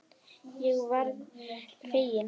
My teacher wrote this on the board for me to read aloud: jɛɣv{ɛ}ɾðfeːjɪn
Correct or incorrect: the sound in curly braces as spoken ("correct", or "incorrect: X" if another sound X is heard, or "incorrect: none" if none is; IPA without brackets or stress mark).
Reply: incorrect: a